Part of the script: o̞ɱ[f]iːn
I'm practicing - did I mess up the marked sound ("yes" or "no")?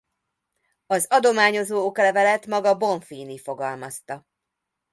no